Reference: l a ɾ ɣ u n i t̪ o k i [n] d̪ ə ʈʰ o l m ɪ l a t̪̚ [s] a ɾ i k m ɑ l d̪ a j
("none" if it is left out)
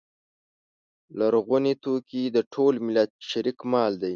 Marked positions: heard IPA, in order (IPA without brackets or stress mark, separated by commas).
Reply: none, ʃ